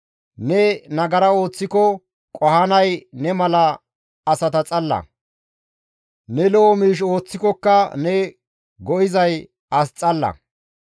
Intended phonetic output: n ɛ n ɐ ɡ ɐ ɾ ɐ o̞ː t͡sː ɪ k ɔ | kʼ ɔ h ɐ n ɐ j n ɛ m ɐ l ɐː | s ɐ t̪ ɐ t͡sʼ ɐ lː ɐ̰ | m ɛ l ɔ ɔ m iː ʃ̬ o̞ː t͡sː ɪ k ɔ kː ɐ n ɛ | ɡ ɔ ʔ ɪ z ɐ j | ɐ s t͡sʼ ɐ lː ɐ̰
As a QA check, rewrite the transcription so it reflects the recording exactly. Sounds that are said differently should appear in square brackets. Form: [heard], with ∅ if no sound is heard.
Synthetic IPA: n ɛ n ɐ ɡ ɐ ɾ ɐ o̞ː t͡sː ɪ k ɔ | kʼ ɔ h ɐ n ɐ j n ɛ m ɐ l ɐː | s ɐ t̪ ɐ t͡sʼ ɐ lː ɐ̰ | [n] ɛ l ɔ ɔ m iː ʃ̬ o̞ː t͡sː ɪ k ɔ kː ɐ n ɛ | ɡ ɔ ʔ ɪ z ɐ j | ɐ s t͡sʼ ɐ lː ɐ̰